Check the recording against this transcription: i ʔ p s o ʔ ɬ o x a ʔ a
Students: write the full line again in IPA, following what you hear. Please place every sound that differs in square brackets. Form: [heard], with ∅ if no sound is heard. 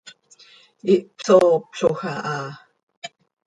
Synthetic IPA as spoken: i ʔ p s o [p] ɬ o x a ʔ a

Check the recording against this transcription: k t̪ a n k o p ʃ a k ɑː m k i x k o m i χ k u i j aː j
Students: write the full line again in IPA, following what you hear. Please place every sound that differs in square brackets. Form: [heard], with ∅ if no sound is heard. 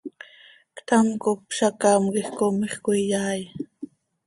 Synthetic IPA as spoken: k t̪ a [m] k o p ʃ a k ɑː m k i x k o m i χ k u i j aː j

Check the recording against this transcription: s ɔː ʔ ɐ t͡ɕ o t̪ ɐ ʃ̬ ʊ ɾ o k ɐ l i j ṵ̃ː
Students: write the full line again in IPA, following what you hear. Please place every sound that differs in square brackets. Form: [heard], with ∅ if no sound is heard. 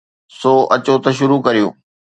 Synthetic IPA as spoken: s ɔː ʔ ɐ t͡ɕ o t̪ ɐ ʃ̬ ʊ ɾ [u] k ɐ [ɾ] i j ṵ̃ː

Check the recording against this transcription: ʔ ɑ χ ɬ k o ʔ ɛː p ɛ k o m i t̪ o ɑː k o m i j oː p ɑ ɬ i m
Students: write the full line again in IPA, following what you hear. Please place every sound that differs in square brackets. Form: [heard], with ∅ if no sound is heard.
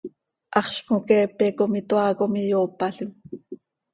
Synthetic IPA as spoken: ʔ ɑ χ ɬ k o [k] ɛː p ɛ k o m i t̪ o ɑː k o m i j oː p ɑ ɬ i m

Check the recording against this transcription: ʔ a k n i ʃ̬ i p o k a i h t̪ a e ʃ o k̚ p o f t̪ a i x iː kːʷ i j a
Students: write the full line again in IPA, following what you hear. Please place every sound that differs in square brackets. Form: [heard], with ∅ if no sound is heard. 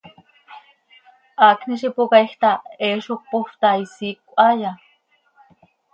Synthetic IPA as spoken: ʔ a k n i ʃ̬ i p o k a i h t̪ a e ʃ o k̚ p o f t̪ a i [s] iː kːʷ [a] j a

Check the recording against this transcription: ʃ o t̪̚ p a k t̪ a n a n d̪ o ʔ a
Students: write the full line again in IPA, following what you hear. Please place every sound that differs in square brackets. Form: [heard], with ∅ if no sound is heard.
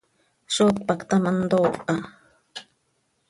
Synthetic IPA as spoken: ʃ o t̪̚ p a k t̪ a [m] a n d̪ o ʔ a

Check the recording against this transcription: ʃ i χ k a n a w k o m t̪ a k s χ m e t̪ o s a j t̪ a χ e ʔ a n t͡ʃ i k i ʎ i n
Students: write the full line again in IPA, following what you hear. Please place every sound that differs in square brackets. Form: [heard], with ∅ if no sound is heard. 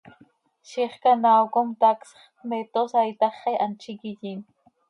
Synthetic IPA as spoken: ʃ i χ k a n a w k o m t̪ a k s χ m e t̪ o s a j t̪ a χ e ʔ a n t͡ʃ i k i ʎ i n

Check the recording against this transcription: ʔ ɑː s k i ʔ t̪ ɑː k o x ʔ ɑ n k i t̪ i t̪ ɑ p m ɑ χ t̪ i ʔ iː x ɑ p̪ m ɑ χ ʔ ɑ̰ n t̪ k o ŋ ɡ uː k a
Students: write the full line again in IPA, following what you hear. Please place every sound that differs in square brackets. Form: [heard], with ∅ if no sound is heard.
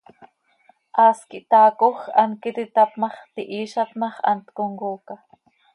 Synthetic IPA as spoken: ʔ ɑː s k i ʔ t̪ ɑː k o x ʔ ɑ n k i t̪ i t̪ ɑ p m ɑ χ t̪ i ʔ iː [ʃ] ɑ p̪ m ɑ χ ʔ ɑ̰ n t̪ k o ŋ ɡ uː k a

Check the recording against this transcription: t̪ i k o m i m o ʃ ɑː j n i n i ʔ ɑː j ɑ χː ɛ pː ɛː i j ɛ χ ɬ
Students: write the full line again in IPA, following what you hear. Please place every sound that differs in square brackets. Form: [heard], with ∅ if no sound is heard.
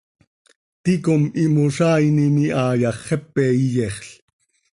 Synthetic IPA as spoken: t̪ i k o m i m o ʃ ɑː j n i n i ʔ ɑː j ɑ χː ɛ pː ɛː i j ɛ χ ɬ

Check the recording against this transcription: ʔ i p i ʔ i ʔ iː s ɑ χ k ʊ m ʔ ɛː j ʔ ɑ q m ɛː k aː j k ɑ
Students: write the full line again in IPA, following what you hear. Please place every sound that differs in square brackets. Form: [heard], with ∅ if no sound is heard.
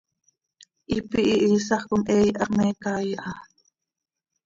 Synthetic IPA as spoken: ʔ i p i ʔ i ʔ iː s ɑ χ k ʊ m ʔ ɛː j ʔ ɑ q m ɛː k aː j [ʔ] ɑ

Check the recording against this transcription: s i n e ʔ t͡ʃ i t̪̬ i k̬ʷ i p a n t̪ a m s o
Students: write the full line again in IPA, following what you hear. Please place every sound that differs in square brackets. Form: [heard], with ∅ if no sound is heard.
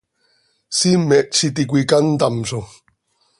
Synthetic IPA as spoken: s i [m] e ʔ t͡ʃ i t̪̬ i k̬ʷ i [k] a n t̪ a m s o

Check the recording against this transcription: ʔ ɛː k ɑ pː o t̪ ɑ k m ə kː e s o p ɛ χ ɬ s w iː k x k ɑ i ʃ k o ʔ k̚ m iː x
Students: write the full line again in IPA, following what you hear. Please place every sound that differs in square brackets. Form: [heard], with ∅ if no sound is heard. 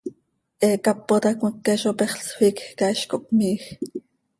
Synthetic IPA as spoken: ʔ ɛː k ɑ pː o t̪ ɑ k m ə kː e [ʃ] o p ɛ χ ɬ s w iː k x k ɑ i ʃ k o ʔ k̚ m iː x

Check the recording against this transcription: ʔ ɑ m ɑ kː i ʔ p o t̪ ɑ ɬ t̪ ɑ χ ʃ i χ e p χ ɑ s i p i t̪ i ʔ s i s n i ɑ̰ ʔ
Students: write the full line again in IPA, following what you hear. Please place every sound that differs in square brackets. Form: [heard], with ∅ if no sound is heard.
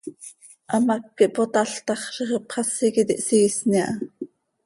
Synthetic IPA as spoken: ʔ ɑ m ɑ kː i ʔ p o t̪ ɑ ɬ t̪ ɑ χ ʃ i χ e p χ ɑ s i [k] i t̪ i ʔ s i s n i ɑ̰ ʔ

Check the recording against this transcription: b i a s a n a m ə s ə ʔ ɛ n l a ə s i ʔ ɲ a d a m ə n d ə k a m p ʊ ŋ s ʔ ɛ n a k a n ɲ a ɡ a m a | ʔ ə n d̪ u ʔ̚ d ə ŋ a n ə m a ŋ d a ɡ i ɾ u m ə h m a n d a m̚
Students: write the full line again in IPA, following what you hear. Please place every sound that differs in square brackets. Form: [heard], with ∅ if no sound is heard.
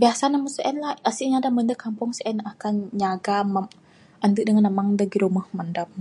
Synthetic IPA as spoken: b i a s a n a m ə s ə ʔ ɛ n l a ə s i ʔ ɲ a d a m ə n d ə k a m p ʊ ŋ s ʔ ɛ n a k a n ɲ a ɡ a m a | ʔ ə n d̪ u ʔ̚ d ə ŋ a n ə m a ŋ d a ɡ i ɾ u m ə h m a n d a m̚

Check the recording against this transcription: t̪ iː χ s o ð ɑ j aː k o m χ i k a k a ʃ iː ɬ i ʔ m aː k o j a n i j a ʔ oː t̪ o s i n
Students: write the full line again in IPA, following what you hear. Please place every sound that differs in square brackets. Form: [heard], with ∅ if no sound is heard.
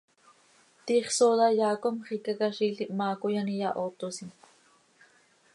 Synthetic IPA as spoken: t̪ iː χ s o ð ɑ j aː k o m χ i k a k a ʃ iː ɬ i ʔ m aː k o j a n i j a ʔ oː t̪ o s i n

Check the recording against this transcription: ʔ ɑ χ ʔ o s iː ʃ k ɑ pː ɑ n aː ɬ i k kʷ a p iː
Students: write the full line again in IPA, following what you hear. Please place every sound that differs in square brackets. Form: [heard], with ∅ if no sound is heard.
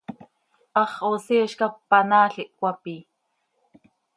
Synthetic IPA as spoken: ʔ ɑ χ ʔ o s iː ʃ k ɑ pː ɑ n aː ɬ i [ʔ] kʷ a p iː

